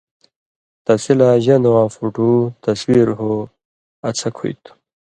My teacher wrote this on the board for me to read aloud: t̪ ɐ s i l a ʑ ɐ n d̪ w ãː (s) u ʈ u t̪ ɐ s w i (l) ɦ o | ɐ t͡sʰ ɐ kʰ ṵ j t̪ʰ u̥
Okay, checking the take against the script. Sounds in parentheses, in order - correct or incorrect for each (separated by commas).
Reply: incorrect, incorrect